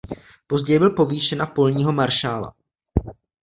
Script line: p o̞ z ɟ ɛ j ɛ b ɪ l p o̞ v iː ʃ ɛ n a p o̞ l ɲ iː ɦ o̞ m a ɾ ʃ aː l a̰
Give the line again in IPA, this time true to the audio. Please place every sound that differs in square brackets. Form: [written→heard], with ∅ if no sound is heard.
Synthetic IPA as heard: p o̞ z ɟ ɛ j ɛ b ɪ l p o̞ v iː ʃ ɛ n a p o̞ l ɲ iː ɦ o̞ m a ɾ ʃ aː l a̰